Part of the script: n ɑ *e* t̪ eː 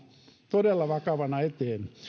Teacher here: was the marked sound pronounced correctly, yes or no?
yes